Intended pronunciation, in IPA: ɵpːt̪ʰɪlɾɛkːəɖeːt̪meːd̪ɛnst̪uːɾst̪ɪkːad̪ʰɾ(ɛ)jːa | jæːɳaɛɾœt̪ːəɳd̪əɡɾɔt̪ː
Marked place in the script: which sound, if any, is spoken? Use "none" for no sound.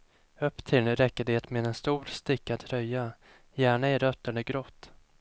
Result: œ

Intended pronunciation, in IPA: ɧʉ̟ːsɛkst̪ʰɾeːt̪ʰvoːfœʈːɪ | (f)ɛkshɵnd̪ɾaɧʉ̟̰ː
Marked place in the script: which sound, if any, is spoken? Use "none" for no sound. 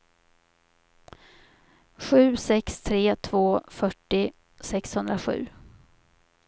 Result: s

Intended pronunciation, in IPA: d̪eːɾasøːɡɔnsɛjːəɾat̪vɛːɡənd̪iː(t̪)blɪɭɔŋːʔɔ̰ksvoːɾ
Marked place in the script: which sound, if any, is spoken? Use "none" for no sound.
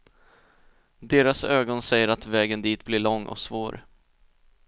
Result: t̪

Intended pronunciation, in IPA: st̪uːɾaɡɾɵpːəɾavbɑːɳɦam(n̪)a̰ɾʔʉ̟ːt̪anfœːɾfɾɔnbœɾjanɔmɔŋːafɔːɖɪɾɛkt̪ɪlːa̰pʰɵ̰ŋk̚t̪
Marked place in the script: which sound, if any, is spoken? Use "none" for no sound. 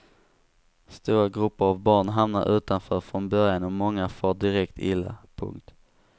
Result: n̪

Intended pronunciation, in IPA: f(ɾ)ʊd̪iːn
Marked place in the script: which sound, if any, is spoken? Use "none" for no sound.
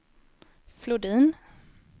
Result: l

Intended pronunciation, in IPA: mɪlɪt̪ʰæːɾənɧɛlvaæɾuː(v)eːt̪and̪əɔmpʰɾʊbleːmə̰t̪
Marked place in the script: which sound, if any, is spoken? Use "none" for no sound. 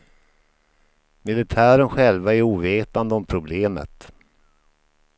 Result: v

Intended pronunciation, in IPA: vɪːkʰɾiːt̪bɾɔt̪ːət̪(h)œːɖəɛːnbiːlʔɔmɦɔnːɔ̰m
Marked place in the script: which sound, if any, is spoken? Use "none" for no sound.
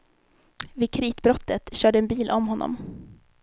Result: ɕ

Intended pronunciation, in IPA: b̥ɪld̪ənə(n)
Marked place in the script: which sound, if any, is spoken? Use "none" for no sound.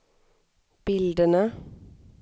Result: none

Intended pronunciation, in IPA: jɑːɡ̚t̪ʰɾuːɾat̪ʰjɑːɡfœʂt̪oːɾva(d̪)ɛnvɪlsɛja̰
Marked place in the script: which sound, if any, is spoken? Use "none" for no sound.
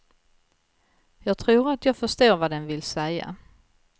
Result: d̪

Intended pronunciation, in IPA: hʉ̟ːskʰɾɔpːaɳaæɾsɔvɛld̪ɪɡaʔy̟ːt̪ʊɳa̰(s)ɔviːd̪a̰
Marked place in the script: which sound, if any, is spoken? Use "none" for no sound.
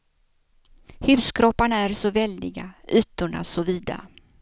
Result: s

